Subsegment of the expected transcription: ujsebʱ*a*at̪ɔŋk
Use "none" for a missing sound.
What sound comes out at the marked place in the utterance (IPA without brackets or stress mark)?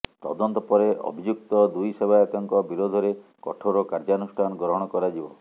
a